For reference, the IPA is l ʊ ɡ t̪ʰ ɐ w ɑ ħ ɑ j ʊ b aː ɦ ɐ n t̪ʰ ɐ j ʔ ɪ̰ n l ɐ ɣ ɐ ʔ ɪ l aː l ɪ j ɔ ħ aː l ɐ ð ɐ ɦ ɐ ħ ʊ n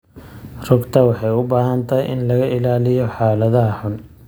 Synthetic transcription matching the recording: r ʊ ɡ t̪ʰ ɐ w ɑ ħ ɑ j ʊ b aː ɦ ɐ n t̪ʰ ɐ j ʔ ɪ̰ n l ɐ ɣ ɐ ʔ ɪ l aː l ɪ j ɔ ħ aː l ɐ ð ɐ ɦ ɐ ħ ʊ n